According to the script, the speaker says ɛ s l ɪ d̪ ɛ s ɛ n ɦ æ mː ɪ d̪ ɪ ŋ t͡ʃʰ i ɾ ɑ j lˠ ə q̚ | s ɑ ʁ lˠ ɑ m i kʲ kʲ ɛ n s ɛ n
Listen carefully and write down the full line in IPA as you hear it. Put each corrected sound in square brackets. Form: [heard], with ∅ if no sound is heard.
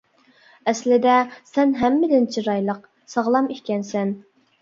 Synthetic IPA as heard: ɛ s l ɪ d̪ ɛ s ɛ n ɦ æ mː ɪ d̪ ɪ [n] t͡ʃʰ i ɾ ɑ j lˠ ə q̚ | s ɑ ʁ lˠ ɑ m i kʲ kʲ ɛ n s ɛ n